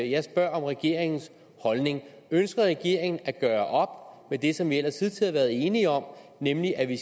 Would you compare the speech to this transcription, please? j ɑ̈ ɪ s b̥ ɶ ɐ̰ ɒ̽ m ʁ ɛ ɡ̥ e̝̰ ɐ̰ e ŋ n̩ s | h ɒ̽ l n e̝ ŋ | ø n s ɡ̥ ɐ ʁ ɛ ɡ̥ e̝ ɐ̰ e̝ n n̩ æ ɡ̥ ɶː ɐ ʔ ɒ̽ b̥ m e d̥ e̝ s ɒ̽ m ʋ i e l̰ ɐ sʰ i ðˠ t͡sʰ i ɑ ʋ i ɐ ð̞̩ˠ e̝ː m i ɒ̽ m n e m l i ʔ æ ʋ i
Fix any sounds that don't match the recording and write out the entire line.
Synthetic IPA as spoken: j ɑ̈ ɪ s b̥ ɶ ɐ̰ ɒ̽ m ʁ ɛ ɡ̥ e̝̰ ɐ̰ e ŋ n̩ s | h ɒ̽ l n e̝ ŋ | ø n s ɡ̥ ɐ ʁ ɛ ɡ̥ e̝ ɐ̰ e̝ ŋ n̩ æ ɡ̥ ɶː ɐ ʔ ɒ̽ b̥ m e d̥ e̝ s ɒ̽ m ʋ i e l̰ ɐ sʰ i ðˠ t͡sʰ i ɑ ʋ æ ɐ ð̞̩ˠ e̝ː n i ɒ̽ m n e m l i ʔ æ ʋ i

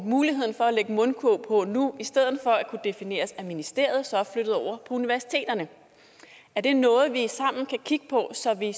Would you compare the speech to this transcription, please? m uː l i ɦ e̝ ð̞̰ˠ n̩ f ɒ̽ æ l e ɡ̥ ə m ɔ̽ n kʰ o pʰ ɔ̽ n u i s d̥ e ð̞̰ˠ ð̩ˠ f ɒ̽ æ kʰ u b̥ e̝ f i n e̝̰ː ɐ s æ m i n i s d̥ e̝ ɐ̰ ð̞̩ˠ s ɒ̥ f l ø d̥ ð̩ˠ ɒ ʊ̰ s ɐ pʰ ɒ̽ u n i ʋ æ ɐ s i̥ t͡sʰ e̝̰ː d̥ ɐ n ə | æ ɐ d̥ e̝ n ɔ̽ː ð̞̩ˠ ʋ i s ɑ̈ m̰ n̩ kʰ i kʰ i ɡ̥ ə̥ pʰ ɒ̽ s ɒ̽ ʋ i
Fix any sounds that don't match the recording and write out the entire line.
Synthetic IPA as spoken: m uː l i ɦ e̝ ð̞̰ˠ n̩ f ɒ̽ æ l e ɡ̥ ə m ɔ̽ n kʰ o pʰ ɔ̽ n u i s d̥ e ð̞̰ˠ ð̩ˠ f ɒ̽ æ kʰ u d̥ e̝ f i n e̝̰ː ɐ s æ m i n i s d̥ e̝ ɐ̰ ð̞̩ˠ s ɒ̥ f l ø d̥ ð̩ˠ ɒ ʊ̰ ɐ pʰ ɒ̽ u n i ʋ æ ɐ s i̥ t͡sʰ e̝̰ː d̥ ɐ n ə | æ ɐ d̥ e̝ n ɔ̽ː ð̞̩ˠ ʋ i s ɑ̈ m̰ n̩ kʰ æ kʰ i ɡ̥ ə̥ pʰ ɒ̽ s ɒ̽ ʋ i

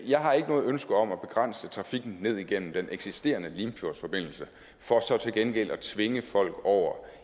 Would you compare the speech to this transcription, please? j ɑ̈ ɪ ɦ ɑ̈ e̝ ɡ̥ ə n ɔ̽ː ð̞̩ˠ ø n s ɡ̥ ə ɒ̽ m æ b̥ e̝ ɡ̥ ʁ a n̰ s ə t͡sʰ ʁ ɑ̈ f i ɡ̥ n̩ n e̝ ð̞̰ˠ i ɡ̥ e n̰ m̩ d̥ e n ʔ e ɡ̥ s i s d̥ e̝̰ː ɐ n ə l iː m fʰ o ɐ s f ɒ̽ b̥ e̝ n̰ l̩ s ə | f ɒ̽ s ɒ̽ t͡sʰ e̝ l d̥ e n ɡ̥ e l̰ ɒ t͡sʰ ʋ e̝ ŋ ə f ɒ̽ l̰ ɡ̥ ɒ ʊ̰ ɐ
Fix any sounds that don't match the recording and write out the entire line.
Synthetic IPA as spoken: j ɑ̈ ɪ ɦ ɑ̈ e̝ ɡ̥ ə n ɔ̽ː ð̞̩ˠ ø n s ɡ̥ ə ɒ̽ m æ b̥ e̝ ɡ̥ ʁ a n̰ s ə t͡sʰ ʁ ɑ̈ f i ɡ̥ n̩ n e̝ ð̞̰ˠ i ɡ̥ e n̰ m̩ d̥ e n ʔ e ɡ̥ s i s d̥ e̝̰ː ɐ n ə l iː m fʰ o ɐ s f ɒ̽ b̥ e̝ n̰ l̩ s ə | f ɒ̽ s ɒ̽ t͡sʰ e̝ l ɡ̥ e n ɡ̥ e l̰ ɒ t͡sʰ ʋ e̝ ŋ ə f ɒ̽ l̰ ɡ̥ ɒ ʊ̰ ɐ

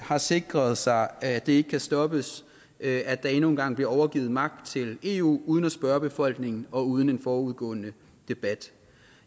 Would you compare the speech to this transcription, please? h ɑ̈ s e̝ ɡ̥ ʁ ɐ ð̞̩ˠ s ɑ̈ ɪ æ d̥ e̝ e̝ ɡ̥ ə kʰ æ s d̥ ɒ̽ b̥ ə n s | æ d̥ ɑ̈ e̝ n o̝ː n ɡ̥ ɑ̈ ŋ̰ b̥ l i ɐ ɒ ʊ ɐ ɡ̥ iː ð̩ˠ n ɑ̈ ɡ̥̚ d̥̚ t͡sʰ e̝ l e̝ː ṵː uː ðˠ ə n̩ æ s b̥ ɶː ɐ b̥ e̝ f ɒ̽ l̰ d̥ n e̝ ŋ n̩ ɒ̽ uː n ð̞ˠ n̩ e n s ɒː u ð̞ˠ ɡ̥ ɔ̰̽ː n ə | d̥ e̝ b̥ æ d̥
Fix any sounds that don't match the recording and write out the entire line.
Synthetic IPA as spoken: h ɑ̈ s e̝ ɡ̥ ʁ ɐ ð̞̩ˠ s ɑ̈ ɪ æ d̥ e̝ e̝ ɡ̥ ə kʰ æ s d̥ ɒ̽ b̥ ə s | æ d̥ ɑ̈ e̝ n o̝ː n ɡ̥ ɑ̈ ŋ̰ b̥ l i ɐ ɒ ʊ ɐ ɡ̥ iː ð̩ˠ m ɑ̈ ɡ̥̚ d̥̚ t͡sʰ e̝ l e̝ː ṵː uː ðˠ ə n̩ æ s b̥ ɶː ɐ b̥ e̝ f ɒ̽ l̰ ɡ̥ n e̝ ŋ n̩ ɒ̽ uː ð̞ˠ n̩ e n f ɒː u ð̞ˠ ɡ̥ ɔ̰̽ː n ə | d̥ e̝ b̥ æ d̥

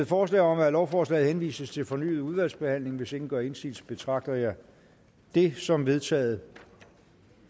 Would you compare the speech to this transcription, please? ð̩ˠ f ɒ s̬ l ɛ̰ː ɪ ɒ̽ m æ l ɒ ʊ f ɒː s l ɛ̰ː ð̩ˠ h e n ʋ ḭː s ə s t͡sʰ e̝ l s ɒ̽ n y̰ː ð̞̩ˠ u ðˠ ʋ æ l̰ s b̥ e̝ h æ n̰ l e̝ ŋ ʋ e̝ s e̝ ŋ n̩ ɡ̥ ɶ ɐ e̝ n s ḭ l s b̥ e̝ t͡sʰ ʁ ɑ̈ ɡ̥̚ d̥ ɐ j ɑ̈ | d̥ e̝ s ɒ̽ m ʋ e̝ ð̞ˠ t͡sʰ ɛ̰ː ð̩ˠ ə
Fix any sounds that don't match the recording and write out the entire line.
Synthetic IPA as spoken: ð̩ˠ f ɒː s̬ l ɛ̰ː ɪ ɒ̽ m æ l ɒ ʊ f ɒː s l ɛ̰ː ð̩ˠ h e n ʋ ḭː s ə s t͡sʰ e̝ l f ɒ̽ n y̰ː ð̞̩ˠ u ðˠ ʋ æ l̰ s b̥ e̝ h æ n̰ l e̝ ŋ ʋ e̝ s e̝ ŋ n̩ ɡ̥ ɶ ɐ e̝ n s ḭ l s b̥ e̝ t͡sʰ ʁ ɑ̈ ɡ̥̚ d̥ ɐ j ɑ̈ | d̥ e̝ s ɒ̽ m ʋ e̝ ð̞ˠ t͡sʰ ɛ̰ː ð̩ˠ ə

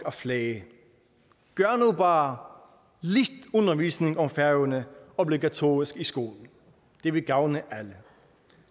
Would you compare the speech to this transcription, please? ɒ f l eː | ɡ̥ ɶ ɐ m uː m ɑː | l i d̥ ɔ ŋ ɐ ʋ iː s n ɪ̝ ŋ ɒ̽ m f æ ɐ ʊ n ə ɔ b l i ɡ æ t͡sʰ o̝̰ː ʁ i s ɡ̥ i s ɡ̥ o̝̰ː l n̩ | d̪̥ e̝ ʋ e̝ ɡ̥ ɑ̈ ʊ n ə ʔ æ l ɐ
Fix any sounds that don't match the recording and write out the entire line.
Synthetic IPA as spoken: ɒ f l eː | ɡ̥ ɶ ɐ n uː b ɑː | l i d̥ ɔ n ɐ ʋ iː s n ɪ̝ ŋ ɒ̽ m f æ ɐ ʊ n ə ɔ b l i ɡ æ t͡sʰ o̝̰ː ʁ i s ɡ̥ i s ɡ̥ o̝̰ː l n̩ | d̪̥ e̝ ʋ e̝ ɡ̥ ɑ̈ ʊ n ə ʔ æ l ə

